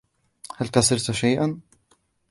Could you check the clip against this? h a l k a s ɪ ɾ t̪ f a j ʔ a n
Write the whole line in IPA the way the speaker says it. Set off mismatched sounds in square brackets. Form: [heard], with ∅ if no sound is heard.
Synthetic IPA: h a l k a s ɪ ɾ t̪ [ʃ] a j ʔ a n